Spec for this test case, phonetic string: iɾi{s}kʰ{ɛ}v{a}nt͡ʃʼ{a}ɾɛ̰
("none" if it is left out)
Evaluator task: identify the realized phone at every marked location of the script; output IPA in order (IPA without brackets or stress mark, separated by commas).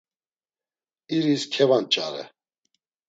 s, ɛ, a, a